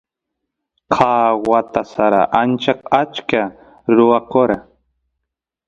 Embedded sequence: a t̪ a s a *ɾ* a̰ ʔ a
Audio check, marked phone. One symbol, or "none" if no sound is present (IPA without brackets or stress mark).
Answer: ɾ